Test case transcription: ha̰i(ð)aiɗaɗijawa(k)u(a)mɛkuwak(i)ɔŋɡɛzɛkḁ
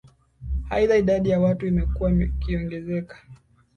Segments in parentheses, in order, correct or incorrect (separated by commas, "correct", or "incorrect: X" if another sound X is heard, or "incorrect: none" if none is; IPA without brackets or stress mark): correct, incorrect: t, incorrect: i, correct